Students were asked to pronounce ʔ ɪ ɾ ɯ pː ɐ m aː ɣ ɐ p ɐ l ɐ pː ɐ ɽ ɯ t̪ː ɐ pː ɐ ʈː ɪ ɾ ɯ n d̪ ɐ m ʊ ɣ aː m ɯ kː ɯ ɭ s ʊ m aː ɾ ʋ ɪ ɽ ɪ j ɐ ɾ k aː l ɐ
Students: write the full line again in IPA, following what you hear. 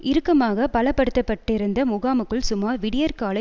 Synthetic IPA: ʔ ɪ ɾ ɯ kː ɐ m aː ɣ ɐ p ɐ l ɐ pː ɐ ɽ ɯ t̪ː ɐ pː ɐ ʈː ɪ ɾ ɯ n d̪ ɐ m ʊ ɣ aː m ɯ kː ɯ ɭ s ʊ m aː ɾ ʋ ɪ ɽ ɪ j ɐ ɾ k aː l ɐ